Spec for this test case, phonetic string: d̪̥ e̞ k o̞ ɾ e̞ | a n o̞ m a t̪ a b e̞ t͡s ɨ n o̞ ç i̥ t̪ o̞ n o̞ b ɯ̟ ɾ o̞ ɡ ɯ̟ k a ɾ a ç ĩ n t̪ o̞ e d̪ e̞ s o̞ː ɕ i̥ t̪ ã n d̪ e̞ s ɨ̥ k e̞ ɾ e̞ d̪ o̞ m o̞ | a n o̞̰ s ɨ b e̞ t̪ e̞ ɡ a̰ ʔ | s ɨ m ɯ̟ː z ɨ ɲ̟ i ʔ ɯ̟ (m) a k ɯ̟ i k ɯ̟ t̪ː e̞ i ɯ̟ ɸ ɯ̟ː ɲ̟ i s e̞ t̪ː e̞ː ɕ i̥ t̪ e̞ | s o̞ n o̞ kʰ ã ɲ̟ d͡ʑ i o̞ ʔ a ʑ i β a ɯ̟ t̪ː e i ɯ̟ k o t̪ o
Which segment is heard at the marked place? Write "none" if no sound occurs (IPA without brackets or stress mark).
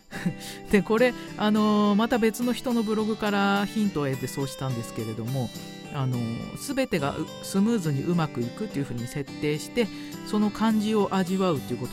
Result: m